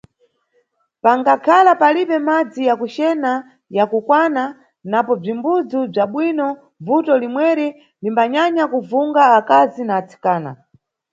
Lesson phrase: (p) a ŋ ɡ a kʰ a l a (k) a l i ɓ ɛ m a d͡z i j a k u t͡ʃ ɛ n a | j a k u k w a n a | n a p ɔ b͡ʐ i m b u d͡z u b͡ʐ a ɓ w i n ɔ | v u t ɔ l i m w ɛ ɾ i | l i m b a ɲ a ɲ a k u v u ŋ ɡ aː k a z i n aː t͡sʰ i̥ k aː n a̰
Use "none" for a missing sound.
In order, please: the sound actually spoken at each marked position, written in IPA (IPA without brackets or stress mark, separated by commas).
p, p